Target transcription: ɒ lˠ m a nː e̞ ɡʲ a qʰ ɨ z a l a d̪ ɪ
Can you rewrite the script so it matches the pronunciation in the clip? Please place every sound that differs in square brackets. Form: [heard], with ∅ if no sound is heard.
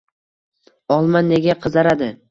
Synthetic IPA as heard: ɒ lˠ m a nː e̞ ɡʲ a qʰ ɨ z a [ɾ] a d̪ ɪ